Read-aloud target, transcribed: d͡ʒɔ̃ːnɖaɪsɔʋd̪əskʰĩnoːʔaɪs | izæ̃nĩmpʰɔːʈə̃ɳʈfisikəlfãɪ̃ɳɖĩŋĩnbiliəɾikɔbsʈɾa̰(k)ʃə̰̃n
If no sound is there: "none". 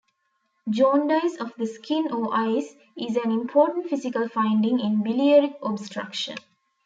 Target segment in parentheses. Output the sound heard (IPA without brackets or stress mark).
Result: k